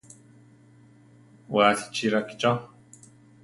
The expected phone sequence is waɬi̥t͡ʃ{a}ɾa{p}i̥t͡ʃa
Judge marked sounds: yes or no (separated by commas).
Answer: no, no